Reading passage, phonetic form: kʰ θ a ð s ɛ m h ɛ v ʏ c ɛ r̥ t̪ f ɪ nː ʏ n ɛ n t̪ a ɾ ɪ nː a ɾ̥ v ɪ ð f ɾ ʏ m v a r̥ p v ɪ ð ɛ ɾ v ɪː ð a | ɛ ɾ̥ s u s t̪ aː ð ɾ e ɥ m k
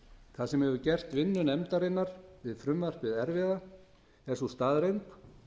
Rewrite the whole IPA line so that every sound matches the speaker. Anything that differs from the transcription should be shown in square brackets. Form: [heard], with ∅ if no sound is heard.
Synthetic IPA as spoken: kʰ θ a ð s ɛ m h ɛ v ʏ c ɛ r̥ t̪ [v] ɪ nː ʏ n ɛ [m] t̪ a ɾ ɪ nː a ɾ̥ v ɪ ð f ɾ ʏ m v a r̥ p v ɪ ð ɛ ɾ v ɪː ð a | ɛ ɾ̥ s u s t̪ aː ð ɾ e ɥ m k